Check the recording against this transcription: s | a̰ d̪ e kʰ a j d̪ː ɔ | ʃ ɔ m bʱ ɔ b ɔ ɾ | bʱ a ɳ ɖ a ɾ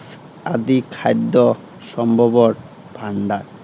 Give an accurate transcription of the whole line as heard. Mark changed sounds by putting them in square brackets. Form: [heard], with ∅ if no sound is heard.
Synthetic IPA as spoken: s | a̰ d̪ [i] kʰ a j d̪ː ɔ | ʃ ɔ m bʱ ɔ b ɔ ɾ | bʱ a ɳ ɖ a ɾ